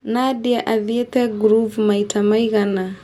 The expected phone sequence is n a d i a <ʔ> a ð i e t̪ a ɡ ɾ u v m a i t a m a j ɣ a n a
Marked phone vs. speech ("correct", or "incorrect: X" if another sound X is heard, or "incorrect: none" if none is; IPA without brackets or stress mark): correct